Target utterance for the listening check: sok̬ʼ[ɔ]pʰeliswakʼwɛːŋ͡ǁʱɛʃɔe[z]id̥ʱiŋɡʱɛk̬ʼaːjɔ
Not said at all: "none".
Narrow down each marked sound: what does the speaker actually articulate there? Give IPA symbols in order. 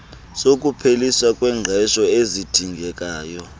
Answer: u, z

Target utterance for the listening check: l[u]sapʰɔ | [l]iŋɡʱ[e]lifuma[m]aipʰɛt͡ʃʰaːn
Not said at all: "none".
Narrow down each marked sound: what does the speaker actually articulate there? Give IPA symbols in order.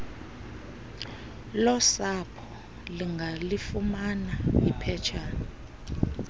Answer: ɔ, l, a, n

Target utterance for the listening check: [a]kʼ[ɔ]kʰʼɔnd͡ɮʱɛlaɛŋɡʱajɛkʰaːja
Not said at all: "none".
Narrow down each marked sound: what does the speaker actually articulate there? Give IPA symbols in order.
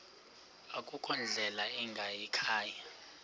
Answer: a, u

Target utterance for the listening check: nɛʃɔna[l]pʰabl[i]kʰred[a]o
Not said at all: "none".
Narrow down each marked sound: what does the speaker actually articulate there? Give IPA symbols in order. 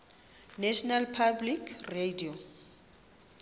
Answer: l, i, i

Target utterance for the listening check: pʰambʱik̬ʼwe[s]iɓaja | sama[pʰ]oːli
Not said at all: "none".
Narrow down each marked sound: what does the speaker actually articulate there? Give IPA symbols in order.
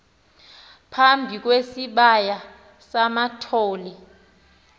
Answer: s, tʰ

